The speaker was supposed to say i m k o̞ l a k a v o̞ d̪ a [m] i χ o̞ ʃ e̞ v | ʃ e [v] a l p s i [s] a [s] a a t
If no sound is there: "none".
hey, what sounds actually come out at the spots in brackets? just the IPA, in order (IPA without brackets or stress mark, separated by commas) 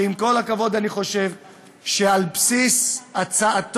n, none, s, t͡s